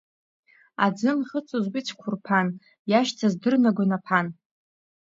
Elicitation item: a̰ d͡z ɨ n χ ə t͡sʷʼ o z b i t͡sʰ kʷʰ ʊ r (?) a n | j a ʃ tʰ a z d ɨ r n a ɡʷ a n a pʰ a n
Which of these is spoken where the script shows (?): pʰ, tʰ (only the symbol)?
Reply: pʰ